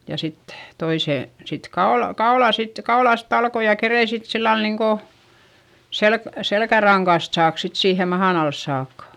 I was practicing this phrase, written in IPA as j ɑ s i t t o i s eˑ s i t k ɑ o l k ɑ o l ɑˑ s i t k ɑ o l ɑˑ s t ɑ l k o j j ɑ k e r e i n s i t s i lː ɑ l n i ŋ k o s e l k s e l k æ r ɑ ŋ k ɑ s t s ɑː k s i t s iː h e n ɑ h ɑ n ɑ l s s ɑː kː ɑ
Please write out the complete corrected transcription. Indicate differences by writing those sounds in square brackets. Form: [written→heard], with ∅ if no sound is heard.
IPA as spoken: j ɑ s i t t o i s eˑ s i t k ɑ o l k ɑ o l ɑˑ s i t k ɑ o l ɑˑ s t ɑ l k o j j ɑ k e r e i n s i t s i lː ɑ l n i ŋ k o s e l k s e l k æ r ɑ ŋ k ɑ s t s ɑː k s i t s iː h e [n→m] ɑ h ɑ n ɑ l s s ɑː kː ɑ